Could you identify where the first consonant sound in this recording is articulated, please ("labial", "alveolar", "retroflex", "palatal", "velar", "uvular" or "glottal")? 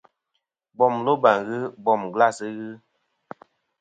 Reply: labial